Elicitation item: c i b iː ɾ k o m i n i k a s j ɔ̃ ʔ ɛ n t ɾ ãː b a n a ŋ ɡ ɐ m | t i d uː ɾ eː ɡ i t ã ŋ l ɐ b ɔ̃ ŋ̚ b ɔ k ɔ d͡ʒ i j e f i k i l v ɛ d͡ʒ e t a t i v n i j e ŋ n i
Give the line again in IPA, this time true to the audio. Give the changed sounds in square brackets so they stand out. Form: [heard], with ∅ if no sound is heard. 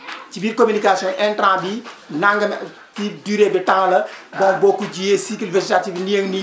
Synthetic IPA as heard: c i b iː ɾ k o m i n i k a s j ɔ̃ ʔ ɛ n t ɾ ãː b [i] n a ŋ ɡ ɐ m | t i d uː ɾ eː [b] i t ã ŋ l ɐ b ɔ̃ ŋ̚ b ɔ k [u] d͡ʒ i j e [s] i k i l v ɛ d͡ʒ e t a t i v n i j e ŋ n i